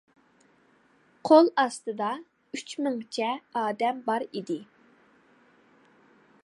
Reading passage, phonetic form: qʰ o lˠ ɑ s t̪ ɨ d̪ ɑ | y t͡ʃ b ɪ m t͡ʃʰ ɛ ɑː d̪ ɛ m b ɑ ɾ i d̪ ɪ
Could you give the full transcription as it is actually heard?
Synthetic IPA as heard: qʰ o lˠ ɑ s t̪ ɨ d̪ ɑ | y t͡ʃ m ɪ ŋ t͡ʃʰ ɛ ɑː d̪ ɛ m b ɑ ɾ i d̪ ɪ